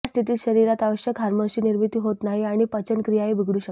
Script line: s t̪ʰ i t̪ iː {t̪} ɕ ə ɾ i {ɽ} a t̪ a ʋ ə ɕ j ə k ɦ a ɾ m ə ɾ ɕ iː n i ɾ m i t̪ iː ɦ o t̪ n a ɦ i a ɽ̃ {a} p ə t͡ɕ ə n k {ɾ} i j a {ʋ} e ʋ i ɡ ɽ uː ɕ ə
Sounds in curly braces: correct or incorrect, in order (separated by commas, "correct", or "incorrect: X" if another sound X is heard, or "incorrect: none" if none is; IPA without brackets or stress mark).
correct, incorrect: ɾ, incorrect: i, correct, incorrect: none